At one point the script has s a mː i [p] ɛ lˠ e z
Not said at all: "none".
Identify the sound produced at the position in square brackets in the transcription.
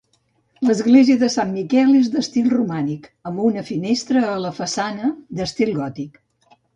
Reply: k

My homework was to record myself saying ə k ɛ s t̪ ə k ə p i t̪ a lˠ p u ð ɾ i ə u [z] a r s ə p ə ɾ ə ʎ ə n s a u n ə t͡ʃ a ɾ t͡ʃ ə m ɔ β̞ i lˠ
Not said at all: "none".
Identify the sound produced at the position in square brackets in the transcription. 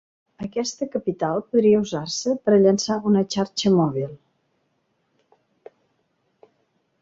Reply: z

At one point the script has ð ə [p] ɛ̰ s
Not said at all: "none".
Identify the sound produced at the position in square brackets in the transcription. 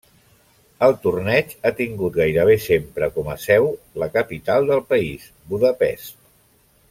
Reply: p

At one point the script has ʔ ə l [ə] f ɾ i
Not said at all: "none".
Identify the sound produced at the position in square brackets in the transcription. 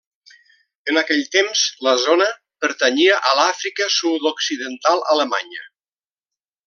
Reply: a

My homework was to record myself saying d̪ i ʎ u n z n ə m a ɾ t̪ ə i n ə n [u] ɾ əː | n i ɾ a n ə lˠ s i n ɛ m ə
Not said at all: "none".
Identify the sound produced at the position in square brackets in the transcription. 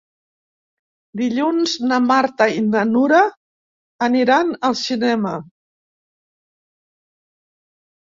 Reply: u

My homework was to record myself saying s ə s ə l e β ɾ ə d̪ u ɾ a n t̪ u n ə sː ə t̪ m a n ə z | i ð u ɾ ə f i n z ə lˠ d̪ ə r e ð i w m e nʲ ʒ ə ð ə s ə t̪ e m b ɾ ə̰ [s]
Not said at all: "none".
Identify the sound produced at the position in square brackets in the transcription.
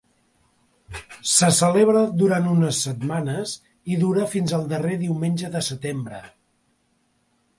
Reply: none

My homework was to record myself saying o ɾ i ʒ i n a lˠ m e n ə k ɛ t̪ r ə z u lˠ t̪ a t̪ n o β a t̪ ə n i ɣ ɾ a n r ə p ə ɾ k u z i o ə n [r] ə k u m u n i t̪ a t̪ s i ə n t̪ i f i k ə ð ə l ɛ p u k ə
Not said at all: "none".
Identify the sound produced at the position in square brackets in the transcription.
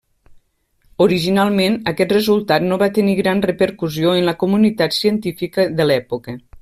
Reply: l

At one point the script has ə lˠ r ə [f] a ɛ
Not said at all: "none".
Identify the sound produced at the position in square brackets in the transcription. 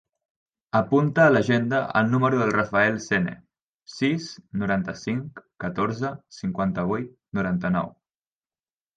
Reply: f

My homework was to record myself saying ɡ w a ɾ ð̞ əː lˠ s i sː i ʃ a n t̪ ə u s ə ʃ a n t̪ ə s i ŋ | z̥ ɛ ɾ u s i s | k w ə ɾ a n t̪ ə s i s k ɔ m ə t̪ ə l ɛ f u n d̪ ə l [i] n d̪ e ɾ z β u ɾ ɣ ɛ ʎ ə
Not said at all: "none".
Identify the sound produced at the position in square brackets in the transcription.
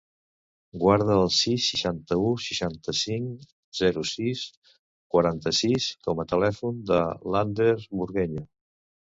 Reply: a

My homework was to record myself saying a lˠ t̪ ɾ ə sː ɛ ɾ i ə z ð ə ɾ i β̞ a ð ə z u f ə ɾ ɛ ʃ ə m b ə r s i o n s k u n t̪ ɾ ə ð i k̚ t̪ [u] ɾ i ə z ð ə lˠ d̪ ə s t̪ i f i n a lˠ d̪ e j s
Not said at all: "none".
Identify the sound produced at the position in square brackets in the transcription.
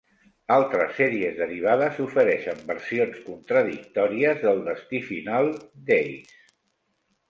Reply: ɔ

